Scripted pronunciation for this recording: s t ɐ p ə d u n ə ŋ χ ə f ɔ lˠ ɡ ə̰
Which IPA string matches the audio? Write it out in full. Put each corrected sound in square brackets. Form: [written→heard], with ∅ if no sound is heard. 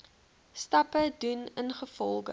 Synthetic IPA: s t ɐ p ə d u n ə [ŋ→n] χ ə f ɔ lˠ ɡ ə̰

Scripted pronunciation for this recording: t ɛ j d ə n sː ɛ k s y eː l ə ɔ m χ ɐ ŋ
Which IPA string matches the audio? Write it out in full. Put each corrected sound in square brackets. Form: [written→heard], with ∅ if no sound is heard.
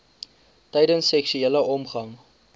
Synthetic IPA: t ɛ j d ə n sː ɛ k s y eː l ə ɔ m χ ɐ ŋ

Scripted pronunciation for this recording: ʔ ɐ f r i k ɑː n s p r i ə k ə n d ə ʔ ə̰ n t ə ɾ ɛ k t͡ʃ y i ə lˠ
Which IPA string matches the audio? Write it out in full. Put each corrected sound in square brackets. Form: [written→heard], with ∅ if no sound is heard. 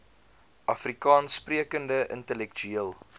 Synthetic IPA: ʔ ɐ f r i k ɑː n s p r i ə k ə n d ə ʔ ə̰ n t ə [ɾ→l] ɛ k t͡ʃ y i ə lˠ

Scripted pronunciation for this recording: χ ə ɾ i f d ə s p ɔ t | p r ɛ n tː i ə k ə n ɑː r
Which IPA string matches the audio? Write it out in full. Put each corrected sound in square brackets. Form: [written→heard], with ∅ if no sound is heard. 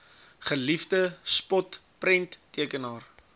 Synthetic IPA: χ ə [ɾ→l] i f d ə s p ɔ t | p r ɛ n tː i ə k ə n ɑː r

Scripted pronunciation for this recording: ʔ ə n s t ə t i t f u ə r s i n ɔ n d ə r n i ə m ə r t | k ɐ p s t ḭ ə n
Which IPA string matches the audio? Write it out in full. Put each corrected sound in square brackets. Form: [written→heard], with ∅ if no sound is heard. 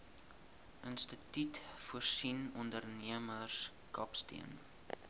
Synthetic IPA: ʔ ə n s t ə t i t f u ə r s i n ɔ n d ə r n i ə m ə r [t→s] | k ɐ p s t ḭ ə n

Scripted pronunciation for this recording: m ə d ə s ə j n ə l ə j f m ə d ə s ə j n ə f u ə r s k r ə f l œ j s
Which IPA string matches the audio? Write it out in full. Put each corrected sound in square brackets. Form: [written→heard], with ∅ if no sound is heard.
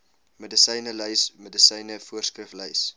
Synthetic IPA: m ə d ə s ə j n ə l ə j [f→s] m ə d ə s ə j n ə f u ə r s k r ə f l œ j s

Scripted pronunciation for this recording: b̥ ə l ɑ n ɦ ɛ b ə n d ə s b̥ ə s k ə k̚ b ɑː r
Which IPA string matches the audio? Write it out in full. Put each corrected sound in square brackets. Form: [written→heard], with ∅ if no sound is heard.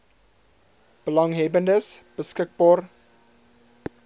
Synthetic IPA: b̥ ə l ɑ [n→ŋ] ɦ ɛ b ə n d ə s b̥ ə s k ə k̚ b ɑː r

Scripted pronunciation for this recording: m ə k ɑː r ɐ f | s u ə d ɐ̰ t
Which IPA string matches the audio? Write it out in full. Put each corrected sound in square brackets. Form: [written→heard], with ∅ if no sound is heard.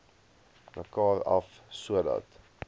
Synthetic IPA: m ə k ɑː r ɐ f | s u ə d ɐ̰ t

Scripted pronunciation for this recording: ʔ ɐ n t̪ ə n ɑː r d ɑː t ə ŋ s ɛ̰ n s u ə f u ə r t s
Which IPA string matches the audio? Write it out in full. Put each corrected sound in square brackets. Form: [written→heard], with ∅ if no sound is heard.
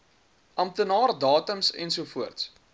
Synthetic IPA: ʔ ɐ [n→m] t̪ ə n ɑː r d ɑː t ə [ŋ→m] s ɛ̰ n s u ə f u ə r t s

